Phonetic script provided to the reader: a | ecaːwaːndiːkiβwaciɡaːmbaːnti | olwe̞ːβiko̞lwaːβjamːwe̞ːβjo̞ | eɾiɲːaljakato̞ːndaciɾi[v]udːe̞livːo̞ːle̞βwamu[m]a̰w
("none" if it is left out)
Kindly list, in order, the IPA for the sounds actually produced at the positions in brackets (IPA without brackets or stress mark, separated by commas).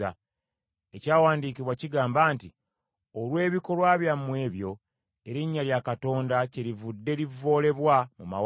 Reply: v, m